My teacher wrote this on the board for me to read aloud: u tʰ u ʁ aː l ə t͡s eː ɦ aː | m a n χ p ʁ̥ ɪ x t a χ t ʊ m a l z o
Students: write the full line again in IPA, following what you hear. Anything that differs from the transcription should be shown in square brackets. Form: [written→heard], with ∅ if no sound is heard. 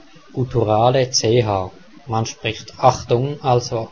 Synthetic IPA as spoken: u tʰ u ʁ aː l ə t͡s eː ɦ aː | m a n [χ→ʃ] p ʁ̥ ɪ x t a χ t ʊ [m→ŋ] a l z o